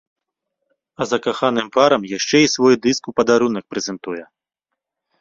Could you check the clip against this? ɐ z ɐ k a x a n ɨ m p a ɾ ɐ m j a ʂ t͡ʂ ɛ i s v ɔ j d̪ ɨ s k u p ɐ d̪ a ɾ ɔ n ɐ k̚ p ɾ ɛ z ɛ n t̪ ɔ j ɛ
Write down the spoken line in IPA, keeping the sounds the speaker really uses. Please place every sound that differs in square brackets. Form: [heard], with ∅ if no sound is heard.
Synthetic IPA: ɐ z ɐ k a x a n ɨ m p a ɾ ɐ m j a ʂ t͡ʂ ɛ i s v ɔ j d̪ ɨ s k u p ɐ d̪ a ɾ [u] n ɐ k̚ p ɾ ɛ z ɛ n t̪ [u] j ɛ